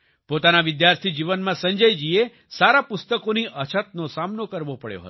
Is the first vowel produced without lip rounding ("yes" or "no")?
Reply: no